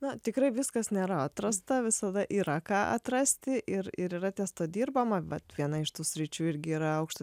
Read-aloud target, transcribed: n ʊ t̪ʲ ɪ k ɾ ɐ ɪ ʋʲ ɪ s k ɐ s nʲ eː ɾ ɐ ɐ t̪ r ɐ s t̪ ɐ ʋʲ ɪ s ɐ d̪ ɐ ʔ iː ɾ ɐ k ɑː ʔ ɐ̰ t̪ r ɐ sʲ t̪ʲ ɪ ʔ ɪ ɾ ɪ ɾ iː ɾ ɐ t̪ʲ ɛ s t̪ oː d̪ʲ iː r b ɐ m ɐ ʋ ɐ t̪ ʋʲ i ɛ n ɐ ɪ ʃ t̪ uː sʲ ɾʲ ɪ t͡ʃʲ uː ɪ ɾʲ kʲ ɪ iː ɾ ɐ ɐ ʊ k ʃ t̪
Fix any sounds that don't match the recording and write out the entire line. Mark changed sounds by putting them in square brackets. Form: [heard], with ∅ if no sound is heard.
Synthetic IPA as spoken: n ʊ t̪ʲ ɪ k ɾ ɐ ɪ ʋʲ ɪ s k ɐ s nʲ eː ɾ ɐ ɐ t̪ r ɐ s t̪ ɐ ʋʲ ɪ s ɐ d̪ ɐ ʔ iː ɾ ɐ k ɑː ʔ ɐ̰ t̪ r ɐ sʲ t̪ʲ ɪ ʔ ɪ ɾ ɪ ɾ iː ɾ ɐ t̪ʲ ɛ s t̪ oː d̪ʲ iː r b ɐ m ɐ ʋ ɐ t̪ ʋʲ i ɛ n ɐ ɪ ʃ t̪ uː sʲ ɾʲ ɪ t͡ʃʲ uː ɪ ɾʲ [ɡʲ] ɪ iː ɾ ɐ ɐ ʊ k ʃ t̪